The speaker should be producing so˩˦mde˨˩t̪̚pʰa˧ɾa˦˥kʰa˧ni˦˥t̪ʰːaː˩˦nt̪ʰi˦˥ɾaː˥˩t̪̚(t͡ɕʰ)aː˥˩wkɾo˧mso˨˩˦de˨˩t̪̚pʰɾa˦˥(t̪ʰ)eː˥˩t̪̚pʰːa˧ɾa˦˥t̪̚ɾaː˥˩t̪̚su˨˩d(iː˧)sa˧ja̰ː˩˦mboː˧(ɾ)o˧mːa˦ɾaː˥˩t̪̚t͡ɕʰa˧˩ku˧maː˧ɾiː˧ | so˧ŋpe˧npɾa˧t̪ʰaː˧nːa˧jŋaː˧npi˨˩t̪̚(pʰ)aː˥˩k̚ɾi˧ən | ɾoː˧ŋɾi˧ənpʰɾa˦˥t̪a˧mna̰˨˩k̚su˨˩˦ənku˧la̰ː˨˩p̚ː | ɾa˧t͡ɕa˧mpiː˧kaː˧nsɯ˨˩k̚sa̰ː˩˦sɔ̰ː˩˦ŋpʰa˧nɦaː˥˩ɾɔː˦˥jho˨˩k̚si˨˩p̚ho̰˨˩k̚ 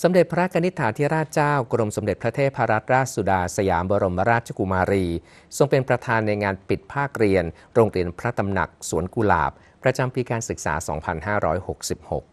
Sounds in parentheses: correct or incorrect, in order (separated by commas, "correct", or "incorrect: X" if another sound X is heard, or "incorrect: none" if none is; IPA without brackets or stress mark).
incorrect: t͡ɕ, correct, incorrect: aː˧, correct, correct